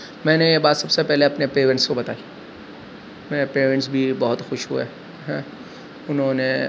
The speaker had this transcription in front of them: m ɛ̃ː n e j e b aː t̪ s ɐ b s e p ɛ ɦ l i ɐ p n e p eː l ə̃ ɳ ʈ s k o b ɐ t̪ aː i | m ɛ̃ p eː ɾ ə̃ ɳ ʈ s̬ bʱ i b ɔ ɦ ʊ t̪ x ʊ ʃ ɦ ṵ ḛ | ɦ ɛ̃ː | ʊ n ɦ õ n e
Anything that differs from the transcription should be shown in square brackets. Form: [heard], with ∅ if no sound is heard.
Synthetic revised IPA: m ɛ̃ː n e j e b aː t̪ s ɐ b s e p ɛ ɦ l [e] ɐ p n e p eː [ɾ] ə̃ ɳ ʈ s k o b ɐ t̪ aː i | m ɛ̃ p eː ɾ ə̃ ɳ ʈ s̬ bʱ i b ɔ ɦ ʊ t̪ x ʊ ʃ ɦ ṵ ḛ | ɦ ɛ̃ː | ʊ n ɦ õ n e